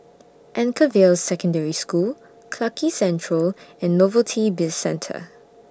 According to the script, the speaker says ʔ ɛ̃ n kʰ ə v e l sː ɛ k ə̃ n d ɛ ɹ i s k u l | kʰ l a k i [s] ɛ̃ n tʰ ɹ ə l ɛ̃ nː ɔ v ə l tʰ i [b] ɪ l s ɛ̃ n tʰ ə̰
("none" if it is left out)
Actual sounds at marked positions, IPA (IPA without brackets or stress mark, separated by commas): s, b